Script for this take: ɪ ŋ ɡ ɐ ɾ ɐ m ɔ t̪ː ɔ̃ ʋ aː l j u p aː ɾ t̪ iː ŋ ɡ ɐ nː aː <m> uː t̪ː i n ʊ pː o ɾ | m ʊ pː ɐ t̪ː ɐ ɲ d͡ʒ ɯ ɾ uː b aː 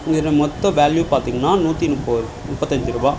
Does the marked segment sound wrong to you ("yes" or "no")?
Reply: yes